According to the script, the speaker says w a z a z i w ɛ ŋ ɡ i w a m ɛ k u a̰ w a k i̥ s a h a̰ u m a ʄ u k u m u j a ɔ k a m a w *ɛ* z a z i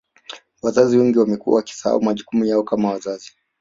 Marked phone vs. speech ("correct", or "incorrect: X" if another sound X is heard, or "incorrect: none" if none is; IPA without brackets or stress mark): incorrect: a